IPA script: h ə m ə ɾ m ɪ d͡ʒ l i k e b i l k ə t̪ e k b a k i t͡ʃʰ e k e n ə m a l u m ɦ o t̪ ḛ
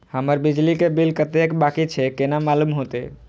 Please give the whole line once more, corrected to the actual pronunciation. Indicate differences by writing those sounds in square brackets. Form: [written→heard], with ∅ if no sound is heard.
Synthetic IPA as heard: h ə m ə ɾ [m→b] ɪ d͡ʒ l i k e b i l k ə t̪ e k b a k i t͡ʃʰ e k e n [ə→a] m a l u m ɦ o t̪ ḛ